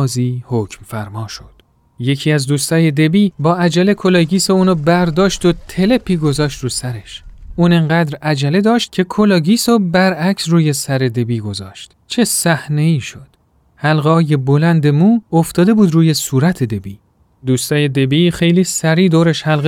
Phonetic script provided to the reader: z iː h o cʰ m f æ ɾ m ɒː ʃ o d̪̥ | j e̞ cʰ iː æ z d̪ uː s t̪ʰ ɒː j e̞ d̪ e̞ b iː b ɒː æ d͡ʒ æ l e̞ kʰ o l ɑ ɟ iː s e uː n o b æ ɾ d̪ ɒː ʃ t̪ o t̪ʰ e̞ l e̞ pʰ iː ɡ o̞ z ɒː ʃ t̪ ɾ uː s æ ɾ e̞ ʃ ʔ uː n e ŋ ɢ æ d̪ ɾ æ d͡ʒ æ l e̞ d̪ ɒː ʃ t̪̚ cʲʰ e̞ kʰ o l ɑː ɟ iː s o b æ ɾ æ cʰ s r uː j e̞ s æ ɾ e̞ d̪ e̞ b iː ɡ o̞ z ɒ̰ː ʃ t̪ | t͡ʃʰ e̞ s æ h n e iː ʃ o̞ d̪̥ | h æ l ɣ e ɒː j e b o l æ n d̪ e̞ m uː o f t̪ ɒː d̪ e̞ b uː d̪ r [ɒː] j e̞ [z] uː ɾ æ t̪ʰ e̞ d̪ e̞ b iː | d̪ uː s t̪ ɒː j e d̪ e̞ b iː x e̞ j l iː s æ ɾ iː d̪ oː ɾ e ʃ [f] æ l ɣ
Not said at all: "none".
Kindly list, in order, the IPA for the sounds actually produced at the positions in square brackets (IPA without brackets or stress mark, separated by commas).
uː, s, h